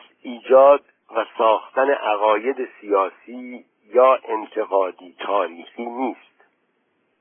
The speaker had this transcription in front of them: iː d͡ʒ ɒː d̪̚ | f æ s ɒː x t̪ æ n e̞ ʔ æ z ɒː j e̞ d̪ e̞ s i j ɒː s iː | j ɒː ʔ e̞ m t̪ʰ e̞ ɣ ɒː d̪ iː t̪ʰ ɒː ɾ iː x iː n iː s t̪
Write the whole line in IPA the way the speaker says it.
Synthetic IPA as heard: iː d͡ʒ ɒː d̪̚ | v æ s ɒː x t̪ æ n e̞ ʔ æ ɣ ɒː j e̞ d̪ e̞ s i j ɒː s iː | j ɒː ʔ e̞ n t̪ʰ e̞ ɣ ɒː d̪ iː t̪ʰ ɒː ɾ iː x iː n iː s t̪